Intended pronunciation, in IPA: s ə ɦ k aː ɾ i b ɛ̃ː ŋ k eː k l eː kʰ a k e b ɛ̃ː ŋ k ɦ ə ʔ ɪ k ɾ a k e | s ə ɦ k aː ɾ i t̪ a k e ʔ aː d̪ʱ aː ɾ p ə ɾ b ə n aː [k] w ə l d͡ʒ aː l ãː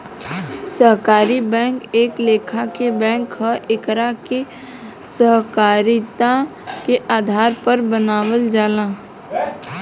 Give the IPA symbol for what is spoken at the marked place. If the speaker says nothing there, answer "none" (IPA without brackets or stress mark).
none